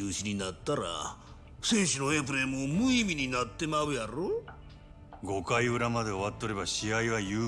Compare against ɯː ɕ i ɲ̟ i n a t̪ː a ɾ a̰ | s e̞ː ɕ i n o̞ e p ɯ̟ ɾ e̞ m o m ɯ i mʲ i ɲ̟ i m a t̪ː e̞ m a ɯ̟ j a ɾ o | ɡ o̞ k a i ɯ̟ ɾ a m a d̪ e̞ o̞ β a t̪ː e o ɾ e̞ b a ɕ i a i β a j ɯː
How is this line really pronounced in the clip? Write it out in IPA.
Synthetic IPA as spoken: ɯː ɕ i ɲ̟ i n a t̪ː a ɾ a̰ | s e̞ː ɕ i n o̞ e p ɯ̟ ɾ e̞ m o m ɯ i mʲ i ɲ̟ i n a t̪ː e̞ m a ɯ̟ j a ɾ o | ɡ o̞ k a i ɯ̟ ɾ a m a d̪ e̞ o̞ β a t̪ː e o ɾ e̞ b a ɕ i a i β a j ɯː